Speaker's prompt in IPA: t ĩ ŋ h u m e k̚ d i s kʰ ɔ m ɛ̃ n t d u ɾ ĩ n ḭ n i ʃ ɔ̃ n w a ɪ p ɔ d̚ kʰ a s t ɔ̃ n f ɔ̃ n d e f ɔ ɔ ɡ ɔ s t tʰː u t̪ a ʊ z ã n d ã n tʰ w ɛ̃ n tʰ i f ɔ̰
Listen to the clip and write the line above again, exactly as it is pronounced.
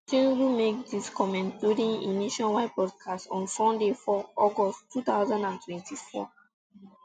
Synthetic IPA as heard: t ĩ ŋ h u m e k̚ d i s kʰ ɔ m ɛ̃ n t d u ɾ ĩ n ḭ n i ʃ ɔ̃ n w a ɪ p ɔ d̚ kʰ a s t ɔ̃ n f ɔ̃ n d e f ɔ ɔ ɡ ɔ s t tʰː u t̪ a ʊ z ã n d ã n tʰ w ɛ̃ n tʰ i f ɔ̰